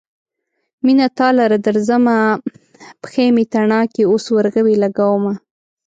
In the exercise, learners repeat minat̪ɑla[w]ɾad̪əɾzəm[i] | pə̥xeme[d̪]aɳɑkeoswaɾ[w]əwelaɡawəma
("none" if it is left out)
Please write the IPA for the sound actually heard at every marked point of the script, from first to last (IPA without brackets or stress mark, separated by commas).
none, a, t̪, ɣ